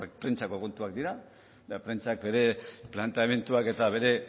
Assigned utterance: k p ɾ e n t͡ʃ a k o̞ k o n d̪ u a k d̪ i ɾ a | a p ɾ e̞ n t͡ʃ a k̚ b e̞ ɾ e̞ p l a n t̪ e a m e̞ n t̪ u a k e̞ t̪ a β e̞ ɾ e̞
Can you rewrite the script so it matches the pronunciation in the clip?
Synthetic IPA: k p ɾ e n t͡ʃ a k o̞ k o n t̪ u a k d̪ i ɾ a | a p ɾ e̞ n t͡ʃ a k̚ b e̞ ɾ e̞ p l a n t̪ e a m e̞ n t̪ u a k e̞ t̪ a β e̞ ɾ e̞